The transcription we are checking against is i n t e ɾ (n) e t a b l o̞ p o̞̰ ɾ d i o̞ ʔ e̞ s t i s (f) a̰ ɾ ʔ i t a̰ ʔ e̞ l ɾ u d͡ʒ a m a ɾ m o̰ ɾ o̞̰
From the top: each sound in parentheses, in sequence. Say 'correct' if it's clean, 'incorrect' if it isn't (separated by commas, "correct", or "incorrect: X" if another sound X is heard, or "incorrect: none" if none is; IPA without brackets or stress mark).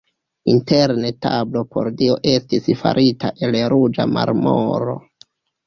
correct, correct